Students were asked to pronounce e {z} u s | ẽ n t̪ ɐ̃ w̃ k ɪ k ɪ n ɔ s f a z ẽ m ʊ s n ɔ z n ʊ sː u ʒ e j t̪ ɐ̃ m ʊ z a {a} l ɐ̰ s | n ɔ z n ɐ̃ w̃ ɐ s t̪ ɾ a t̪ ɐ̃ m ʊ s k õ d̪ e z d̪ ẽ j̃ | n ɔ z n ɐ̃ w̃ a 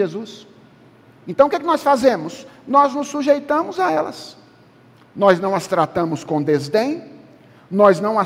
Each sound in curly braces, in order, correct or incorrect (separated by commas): correct, incorrect